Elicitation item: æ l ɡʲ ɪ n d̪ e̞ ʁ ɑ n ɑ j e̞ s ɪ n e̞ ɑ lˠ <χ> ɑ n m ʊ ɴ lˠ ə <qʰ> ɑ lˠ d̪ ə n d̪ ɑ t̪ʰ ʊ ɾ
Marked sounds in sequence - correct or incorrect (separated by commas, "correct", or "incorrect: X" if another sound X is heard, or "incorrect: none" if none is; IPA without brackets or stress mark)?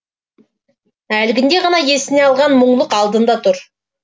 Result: incorrect: ʁ, incorrect: q